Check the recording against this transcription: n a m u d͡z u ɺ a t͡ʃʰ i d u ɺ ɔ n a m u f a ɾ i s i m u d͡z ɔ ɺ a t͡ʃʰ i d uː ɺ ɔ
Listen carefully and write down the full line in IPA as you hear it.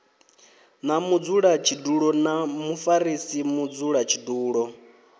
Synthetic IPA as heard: n a m u d͡z u ɺ a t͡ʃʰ i d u ɺ ɔ n a m u f a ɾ i s i m u d͡z u ɺ a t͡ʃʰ i d uː ɺ ɔ